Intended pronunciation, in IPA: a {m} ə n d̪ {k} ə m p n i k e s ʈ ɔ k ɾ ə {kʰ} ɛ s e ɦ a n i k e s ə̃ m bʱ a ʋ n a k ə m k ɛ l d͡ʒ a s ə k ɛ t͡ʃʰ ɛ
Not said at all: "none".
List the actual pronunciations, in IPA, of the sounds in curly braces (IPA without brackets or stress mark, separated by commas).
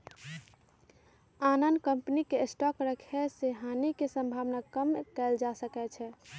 n, k, kʰ